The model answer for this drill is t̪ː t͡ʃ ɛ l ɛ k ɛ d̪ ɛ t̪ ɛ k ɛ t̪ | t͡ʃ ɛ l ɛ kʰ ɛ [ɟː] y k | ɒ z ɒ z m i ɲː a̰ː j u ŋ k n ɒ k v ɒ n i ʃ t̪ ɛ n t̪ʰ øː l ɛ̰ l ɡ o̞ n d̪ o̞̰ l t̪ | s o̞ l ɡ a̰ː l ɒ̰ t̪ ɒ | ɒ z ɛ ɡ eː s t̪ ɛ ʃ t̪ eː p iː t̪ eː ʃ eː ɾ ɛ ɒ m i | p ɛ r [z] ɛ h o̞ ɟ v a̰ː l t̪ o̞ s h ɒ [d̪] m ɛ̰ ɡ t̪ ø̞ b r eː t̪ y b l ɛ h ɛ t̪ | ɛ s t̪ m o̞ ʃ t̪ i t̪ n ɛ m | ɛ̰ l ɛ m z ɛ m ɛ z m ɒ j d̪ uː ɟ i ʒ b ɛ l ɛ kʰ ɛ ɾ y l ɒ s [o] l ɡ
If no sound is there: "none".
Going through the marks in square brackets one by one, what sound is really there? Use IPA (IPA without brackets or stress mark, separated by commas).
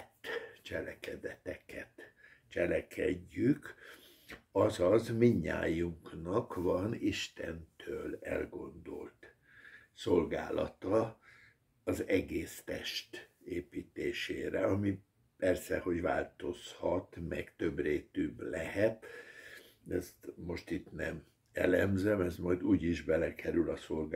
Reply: ɟː, s, t̪, o